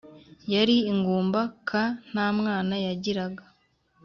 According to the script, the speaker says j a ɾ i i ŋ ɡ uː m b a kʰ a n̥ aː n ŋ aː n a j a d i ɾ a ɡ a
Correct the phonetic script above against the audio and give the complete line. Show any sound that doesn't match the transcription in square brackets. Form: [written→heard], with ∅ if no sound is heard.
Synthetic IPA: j a ɾ i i ŋ ɡ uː m b a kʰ a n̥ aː [n→m] ŋ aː n a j a [d→ɟ] i ɾ a ɡ a